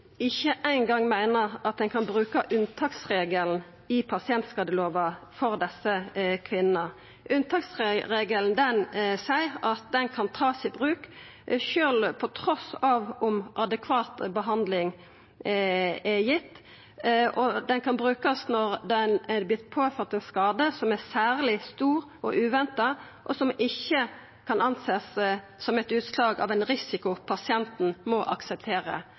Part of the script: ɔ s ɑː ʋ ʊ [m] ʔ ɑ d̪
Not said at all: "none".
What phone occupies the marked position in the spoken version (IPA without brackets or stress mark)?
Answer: m